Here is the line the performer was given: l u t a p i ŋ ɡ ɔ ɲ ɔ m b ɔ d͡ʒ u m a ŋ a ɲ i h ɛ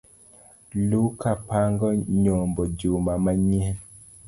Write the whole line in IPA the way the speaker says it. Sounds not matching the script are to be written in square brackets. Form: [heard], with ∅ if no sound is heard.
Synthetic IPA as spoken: l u [k] a p [a] ŋ ɡ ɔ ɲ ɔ m b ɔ d͡ʒ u m a [m] a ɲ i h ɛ